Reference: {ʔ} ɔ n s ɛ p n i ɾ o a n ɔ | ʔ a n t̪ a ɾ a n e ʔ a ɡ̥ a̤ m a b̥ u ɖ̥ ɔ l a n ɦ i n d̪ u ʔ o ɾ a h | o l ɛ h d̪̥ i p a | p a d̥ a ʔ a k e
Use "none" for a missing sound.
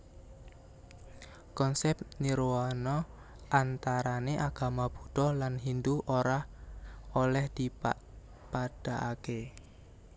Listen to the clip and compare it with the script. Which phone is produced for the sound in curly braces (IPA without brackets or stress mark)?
k